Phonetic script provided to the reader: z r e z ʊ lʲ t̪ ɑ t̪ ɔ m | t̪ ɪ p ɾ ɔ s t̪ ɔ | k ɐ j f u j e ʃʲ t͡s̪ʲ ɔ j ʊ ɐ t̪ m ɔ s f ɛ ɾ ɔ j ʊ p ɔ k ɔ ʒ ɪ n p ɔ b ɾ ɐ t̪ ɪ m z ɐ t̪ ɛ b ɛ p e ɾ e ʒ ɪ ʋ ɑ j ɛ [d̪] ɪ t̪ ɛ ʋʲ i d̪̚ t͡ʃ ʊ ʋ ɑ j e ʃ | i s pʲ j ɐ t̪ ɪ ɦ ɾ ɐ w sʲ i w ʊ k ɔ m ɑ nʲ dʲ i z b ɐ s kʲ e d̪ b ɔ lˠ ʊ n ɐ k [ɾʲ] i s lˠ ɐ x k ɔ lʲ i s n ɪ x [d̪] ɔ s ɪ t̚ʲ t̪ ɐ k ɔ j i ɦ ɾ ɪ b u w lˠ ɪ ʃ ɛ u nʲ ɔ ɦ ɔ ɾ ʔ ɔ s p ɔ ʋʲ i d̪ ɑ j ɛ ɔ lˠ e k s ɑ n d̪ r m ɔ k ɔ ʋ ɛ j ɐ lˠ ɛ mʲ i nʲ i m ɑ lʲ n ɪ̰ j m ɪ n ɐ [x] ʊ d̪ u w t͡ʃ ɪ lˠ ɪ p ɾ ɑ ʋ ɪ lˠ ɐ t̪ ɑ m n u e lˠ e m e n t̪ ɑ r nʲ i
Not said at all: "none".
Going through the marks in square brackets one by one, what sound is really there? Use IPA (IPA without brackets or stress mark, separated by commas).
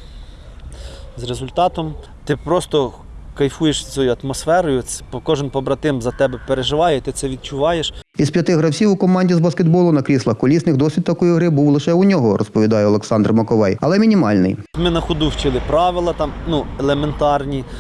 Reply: t̪, ɾʲ, d̪, x